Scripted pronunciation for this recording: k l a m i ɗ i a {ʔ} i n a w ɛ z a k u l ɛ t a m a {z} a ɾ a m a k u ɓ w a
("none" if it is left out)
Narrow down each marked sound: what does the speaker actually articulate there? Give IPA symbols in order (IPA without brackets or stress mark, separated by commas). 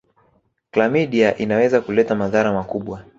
ʔ, ð